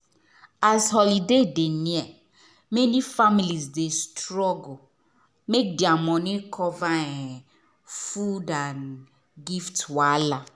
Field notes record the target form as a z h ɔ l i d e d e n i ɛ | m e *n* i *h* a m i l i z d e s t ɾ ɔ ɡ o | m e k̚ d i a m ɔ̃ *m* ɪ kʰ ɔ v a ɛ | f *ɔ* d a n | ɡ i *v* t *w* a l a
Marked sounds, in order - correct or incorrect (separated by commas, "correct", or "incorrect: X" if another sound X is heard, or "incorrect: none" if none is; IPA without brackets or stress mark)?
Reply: correct, incorrect: f, incorrect: n, incorrect: u, incorrect: f, correct